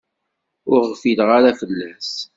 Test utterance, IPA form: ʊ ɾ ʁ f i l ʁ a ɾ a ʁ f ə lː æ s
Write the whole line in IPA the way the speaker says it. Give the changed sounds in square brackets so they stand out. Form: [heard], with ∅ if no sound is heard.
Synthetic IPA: ʊ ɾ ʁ f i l ʁ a ɾ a [∅] f ə lː æ s